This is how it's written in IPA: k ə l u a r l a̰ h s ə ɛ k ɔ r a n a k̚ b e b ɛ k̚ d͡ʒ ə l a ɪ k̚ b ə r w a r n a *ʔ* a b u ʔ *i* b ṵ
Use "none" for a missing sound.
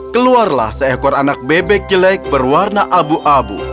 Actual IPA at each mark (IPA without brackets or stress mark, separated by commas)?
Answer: ʔ, a